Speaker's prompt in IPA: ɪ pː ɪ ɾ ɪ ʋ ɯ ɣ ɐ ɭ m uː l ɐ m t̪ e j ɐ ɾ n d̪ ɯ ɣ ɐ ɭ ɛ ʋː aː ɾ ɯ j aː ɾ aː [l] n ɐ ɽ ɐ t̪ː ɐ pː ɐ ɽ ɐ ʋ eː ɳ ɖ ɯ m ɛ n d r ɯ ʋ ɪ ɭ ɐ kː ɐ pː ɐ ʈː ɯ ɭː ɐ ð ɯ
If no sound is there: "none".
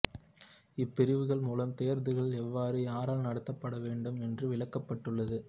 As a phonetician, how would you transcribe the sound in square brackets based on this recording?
l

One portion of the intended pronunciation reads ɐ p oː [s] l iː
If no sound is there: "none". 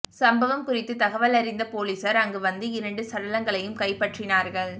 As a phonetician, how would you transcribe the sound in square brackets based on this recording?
none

